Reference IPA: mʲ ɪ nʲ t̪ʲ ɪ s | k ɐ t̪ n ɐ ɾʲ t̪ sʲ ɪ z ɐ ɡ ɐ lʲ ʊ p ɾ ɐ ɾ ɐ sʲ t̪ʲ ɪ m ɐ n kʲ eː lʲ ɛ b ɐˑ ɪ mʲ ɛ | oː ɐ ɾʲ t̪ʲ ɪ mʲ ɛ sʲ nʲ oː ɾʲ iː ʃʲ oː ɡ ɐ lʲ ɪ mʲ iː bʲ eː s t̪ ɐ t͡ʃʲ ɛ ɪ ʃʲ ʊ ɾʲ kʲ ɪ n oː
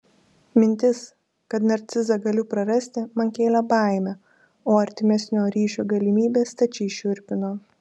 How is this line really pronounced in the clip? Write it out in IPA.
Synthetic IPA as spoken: mʲ ɪ nʲ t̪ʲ ɪ s | k ɐ t̪ n ɐ ɾʲ t̪ sʲ ɪ z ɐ ɡ ɐ lʲ ʊ p ɾ ɐ ɾ ɐ sʲ t̪ʲ ɪ m ɐ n kʲ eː lʲ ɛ b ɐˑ ɪ mʲ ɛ | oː ɐ ɾʲ t̪ʲ ɪ mʲ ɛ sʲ nʲ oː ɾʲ iː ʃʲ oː ɡ ɐ lʲ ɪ mʲ iː bʲ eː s t̪ ɐ t͡ʃʲ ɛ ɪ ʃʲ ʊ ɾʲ pʲ ɪ n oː